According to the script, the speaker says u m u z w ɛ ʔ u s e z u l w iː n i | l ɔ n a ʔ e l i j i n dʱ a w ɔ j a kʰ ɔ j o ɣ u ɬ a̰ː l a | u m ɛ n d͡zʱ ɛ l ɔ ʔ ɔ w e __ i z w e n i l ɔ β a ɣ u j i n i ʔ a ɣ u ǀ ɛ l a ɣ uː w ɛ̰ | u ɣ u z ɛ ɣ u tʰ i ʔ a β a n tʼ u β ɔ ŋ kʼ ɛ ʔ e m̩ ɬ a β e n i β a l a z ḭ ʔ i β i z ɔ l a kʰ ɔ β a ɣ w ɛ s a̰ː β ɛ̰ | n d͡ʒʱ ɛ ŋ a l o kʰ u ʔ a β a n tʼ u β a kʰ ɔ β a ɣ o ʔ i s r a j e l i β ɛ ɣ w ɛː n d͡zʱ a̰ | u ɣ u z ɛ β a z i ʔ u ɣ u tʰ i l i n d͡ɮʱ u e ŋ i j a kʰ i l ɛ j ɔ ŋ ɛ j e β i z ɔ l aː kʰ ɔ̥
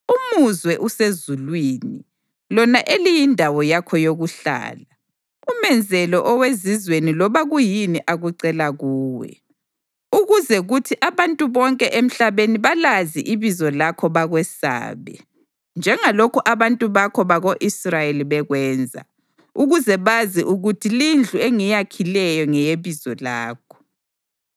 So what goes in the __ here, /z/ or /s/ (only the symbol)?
z